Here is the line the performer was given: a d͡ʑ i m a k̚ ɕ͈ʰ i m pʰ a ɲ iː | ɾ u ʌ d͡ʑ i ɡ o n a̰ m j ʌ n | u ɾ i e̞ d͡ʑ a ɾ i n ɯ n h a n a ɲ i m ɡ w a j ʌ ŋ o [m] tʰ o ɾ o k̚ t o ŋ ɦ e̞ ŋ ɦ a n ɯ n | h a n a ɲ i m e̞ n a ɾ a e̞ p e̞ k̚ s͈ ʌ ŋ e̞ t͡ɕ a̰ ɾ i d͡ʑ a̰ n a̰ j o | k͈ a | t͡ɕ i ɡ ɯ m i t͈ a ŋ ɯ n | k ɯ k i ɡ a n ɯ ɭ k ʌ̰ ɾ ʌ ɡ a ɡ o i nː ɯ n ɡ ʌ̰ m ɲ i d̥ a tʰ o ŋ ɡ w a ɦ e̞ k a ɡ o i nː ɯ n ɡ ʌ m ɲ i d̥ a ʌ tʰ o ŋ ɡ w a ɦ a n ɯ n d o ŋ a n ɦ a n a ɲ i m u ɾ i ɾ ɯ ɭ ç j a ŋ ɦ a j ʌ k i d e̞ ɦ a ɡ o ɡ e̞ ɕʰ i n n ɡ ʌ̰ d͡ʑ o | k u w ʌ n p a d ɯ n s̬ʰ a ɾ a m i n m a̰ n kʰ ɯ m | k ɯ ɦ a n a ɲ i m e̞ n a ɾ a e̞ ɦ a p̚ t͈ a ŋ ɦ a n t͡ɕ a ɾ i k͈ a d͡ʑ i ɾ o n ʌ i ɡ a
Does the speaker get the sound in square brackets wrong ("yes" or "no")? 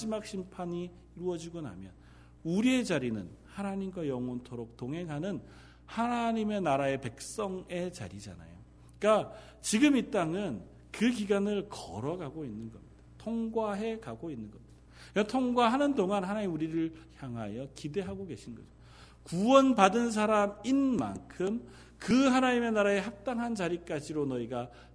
yes